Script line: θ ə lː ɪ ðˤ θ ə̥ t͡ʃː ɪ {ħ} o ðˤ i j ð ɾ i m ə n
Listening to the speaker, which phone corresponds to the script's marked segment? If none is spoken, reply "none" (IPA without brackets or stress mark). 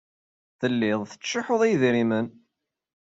ħ